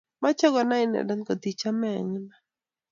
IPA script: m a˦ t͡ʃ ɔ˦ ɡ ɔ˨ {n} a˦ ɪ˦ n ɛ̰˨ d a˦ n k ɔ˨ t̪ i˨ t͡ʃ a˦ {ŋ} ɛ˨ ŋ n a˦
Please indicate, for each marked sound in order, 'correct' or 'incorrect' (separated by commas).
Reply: correct, incorrect